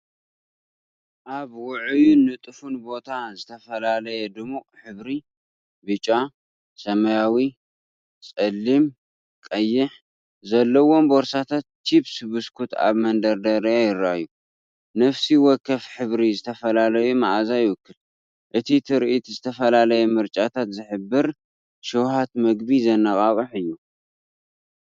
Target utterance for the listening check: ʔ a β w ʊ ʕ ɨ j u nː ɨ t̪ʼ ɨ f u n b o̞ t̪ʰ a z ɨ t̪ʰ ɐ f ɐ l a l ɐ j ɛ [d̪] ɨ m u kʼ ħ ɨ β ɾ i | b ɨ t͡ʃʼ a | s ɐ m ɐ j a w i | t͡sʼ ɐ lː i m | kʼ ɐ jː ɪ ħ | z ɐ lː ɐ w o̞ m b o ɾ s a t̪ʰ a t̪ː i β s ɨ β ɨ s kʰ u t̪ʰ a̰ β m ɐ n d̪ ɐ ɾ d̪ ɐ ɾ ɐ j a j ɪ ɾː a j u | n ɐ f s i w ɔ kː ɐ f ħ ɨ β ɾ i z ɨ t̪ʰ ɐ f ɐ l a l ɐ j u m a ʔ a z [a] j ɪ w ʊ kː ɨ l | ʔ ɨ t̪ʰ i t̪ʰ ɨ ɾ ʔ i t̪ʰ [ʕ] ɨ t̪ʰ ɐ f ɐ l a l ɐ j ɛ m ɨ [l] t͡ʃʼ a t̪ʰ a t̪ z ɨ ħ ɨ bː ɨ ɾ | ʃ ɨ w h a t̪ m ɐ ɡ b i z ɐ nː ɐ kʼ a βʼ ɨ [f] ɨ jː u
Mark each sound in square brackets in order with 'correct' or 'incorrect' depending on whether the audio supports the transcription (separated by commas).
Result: correct, correct, incorrect, incorrect, incorrect